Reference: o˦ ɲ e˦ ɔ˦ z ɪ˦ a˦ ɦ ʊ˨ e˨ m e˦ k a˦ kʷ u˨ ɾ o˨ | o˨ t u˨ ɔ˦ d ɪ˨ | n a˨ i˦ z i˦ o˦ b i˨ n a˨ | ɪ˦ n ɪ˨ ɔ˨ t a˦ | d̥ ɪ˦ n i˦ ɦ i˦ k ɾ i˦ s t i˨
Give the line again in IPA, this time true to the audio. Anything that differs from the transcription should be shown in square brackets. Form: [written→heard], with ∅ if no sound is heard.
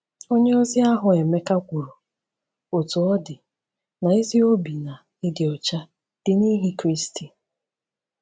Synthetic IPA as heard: o˦ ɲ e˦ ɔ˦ z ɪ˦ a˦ ɦ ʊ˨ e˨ m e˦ k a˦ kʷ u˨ ɾ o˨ | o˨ t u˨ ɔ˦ d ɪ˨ | n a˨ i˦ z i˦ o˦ b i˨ n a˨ | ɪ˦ [n→d] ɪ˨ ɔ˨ [t→t͡ʃ] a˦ | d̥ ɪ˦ n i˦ ɦ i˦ k ɾ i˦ s t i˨